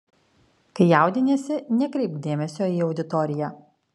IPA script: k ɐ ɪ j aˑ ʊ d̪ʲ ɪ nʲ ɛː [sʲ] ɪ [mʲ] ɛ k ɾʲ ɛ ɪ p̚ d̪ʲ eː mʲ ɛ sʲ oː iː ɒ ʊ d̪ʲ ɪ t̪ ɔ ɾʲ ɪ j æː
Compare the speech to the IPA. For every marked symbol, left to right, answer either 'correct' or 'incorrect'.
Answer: correct, incorrect

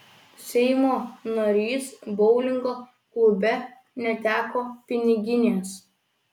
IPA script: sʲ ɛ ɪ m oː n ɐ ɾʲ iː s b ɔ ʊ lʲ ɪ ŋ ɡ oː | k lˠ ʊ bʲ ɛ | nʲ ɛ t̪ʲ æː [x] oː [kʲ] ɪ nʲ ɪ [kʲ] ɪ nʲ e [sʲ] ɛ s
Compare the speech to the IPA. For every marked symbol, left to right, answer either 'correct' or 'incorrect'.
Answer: incorrect, incorrect, incorrect, incorrect

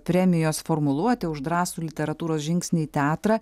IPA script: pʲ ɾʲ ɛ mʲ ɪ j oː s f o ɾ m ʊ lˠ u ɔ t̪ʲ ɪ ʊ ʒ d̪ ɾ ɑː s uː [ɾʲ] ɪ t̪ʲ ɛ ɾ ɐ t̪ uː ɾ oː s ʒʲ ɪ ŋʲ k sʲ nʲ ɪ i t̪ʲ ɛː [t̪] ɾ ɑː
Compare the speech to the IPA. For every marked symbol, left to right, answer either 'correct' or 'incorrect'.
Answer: incorrect, correct

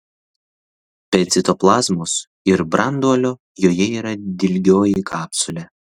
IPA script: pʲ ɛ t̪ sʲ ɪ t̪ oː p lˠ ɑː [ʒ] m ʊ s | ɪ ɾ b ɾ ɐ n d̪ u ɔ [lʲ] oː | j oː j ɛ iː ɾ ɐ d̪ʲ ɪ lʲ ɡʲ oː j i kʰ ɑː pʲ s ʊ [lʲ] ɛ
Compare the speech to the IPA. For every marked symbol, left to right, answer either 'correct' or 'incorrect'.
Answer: incorrect, correct, correct

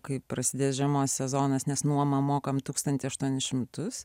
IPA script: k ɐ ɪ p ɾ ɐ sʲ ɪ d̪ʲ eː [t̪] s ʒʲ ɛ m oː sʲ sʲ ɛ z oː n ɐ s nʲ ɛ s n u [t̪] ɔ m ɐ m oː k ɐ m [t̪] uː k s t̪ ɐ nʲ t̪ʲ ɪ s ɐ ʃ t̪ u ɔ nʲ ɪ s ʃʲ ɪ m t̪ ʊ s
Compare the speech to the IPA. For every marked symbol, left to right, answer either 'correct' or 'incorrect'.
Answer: incorrect, incorrect, correct

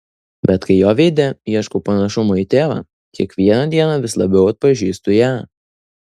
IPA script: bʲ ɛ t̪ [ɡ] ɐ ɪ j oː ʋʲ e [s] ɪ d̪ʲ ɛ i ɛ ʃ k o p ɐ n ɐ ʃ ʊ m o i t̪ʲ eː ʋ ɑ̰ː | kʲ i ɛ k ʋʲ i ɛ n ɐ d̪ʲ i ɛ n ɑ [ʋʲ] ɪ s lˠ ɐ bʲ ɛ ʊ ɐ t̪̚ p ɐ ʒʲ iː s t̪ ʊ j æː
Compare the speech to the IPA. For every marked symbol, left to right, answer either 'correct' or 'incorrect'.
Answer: incorrect, incorrect, correct

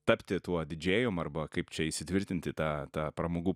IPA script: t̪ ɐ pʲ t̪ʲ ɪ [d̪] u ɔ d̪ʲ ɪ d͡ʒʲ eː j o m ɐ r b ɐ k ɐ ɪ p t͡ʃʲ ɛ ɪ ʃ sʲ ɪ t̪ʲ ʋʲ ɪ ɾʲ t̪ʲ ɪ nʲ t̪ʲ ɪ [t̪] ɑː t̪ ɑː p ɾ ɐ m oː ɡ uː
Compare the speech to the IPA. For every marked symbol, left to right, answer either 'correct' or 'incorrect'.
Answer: incorrect, correct

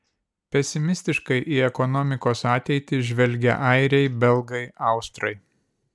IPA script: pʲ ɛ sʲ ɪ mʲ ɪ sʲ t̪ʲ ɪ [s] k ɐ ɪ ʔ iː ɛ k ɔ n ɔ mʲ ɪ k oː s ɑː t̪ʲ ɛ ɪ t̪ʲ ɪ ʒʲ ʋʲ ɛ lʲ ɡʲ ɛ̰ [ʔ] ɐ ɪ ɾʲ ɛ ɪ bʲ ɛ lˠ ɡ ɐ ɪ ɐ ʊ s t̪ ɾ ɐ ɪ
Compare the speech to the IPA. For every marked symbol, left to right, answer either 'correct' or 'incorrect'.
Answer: incorrect, correct

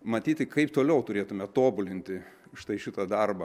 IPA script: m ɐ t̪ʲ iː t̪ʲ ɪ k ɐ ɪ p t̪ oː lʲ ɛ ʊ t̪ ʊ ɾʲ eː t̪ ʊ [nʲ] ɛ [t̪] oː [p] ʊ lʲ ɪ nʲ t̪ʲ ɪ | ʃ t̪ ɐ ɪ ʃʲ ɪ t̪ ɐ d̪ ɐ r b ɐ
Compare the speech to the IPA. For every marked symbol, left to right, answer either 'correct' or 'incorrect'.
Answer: incorrect, correct, incorrect

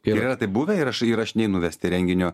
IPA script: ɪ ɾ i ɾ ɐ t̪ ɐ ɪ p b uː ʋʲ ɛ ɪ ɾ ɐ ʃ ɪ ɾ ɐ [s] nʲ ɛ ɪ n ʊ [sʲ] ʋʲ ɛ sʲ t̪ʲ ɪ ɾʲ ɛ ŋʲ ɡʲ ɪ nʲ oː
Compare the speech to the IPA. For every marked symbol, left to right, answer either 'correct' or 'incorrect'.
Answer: incorrect, incorrect

